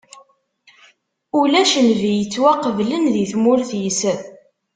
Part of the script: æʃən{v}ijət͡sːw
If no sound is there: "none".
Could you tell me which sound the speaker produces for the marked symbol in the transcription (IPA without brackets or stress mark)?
v